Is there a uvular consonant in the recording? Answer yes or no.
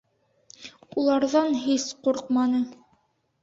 yes